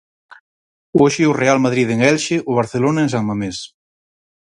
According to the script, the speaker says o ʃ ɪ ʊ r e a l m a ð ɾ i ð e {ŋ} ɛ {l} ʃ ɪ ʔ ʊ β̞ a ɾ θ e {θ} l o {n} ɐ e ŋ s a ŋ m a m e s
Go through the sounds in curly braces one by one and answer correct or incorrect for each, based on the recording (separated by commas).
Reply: correct, correct, incorrect, correct